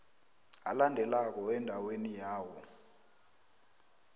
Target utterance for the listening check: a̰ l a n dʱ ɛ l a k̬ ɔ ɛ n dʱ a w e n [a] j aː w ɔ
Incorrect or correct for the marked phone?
incorrect: i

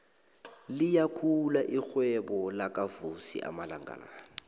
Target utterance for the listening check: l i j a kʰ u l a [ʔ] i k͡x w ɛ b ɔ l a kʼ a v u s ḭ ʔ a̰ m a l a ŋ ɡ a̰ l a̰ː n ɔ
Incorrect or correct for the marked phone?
correct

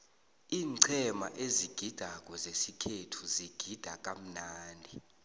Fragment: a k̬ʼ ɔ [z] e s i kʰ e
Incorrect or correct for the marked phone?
correct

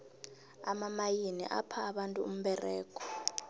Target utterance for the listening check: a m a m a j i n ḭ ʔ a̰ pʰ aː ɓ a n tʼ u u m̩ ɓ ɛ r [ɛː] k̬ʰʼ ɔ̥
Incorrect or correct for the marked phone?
correct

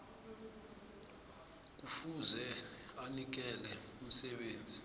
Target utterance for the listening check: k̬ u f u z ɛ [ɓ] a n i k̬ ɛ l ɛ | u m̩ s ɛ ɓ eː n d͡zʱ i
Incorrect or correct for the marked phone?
incorrect: none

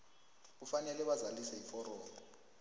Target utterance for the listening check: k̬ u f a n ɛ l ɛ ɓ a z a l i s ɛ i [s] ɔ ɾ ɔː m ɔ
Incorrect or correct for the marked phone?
incorrect: f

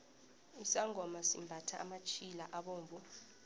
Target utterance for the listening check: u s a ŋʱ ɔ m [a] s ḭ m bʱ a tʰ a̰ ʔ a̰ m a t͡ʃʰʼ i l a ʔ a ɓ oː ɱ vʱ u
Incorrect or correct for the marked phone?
correct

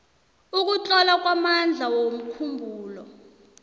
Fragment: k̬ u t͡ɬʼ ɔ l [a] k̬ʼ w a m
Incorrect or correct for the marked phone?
correct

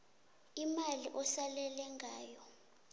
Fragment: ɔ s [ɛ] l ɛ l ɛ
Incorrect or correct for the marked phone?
incorrect: a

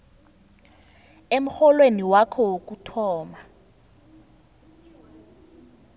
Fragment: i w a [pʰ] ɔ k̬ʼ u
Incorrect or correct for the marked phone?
incorrect: kʰ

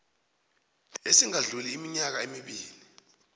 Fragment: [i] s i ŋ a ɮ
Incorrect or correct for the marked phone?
incorrect: e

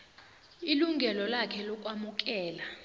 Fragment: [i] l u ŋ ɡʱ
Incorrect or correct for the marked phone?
correct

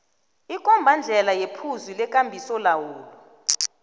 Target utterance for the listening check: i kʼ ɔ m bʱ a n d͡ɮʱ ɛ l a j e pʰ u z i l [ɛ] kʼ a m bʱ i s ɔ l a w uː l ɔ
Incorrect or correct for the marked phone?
correct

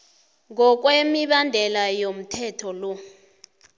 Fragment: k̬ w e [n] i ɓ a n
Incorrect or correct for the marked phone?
incorrect: m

